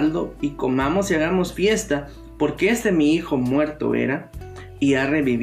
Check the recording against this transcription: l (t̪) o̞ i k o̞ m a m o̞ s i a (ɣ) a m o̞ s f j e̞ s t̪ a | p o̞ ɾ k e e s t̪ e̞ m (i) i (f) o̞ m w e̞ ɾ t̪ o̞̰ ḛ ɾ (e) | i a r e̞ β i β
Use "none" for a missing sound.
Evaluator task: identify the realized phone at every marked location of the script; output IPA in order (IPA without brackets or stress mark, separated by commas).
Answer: d̪, ɣ, i, x, a